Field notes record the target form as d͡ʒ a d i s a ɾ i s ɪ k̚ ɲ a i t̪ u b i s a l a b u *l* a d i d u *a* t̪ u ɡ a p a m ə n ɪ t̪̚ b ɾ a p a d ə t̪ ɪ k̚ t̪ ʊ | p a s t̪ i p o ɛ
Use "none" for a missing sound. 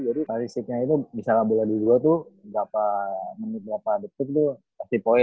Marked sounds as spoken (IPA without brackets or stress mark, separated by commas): l, a